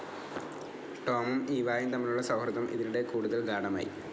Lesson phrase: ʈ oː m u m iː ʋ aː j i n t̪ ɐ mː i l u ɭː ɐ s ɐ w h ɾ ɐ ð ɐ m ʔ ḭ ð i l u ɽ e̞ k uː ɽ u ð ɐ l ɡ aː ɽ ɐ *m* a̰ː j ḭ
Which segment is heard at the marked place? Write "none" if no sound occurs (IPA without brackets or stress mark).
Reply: m